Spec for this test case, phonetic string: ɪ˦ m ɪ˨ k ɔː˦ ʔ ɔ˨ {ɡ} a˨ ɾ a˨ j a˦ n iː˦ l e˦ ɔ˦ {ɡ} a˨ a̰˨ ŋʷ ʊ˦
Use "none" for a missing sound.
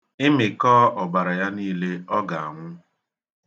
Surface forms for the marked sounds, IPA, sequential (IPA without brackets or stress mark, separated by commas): b, ɡ